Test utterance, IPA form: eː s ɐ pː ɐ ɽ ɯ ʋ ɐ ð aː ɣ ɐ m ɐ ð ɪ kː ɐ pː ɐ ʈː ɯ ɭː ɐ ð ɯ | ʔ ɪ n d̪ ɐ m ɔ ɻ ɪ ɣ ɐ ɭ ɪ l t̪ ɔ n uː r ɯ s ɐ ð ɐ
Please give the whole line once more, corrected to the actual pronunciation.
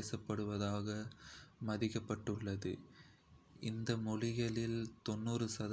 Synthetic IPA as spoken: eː s ɐ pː ɐ ɽ ɯ ʋ ɐ ð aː ɣ ɐ m ɐ ð ɪ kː ɐ pː ɐ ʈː ɯ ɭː ɐ ð ɯ | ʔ ɪ n d̪ ɐ m ɔ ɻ ɪ ɣ ɐ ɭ ɪ l t̪ ɔ nː uː r ɯ s ɐ ð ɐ